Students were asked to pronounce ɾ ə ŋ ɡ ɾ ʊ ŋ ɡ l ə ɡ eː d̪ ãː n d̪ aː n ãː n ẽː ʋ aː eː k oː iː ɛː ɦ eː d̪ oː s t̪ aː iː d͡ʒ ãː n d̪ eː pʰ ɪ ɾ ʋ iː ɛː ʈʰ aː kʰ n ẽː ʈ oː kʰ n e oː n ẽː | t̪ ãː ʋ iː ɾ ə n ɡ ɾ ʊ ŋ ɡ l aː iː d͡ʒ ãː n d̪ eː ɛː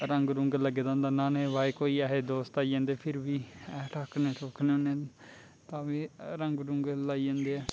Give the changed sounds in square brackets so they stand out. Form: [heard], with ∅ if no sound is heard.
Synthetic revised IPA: ɾ ə ŋ ɡ ɾ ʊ ŋ ɡ l ə ɡ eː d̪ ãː n d̪ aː n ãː n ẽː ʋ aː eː k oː iː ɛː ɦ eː d̪ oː s t̪ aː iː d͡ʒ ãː n d̪ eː pʰ ɪ ɾ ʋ iː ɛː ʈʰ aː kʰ n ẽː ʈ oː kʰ n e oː n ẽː | t̪ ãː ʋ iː ɾ ə [ŋ] ɡ ɾ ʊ ŋ ɡ l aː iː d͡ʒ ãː n d̪ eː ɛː